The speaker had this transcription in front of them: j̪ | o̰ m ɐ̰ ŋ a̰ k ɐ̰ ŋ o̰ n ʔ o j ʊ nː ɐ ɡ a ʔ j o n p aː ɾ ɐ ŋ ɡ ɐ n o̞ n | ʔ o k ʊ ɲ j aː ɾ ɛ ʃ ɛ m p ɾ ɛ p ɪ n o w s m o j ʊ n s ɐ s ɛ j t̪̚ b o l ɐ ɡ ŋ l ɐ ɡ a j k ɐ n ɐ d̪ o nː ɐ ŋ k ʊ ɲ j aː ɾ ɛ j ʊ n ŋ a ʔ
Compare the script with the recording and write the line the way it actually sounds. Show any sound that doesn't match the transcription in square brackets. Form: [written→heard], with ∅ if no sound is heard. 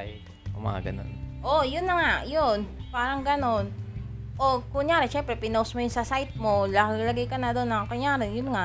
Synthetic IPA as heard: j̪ | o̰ m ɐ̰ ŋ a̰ [k→ɡ] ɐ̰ [ŋ→n] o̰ n ʔ o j ʊ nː ɐ [ɡ→ŋ] a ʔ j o n p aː ɾ ɐ ŋ ɡ ɐ n o̞ n | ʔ o k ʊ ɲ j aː ɾ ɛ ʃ ɛ m p ɾ ɛ p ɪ n o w s m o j ʊ n s ɐ s [ɛ→a] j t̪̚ [b→m] o l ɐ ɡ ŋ l ɐ ɡ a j k ɐ n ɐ d̪ o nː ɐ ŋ k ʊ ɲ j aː ɾ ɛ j ʊ n ŋ a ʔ